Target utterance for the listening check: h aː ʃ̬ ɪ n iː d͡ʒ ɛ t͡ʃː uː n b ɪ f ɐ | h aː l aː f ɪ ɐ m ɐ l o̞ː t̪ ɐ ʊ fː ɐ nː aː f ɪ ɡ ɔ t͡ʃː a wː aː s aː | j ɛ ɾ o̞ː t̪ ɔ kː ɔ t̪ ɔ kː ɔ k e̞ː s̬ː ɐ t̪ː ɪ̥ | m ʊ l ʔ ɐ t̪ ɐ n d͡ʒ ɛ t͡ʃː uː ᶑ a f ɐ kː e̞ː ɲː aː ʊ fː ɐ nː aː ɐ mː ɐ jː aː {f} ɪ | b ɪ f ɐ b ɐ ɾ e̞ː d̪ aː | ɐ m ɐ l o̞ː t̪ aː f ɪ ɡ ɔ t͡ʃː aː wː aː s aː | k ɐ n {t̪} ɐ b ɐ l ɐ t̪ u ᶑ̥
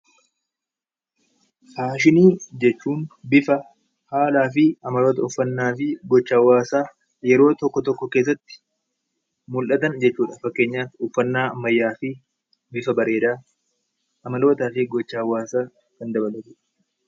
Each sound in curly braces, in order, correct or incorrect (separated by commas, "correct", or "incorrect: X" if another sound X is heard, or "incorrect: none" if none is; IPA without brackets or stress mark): correct, incorrect: d̪